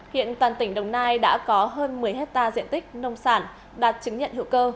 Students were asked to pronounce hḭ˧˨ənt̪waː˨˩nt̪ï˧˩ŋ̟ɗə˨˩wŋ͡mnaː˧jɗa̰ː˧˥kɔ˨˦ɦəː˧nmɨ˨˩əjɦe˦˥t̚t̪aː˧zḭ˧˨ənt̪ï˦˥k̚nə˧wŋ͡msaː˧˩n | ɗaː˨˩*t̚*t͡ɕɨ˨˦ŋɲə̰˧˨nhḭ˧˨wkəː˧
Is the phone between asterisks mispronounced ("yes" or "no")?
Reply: no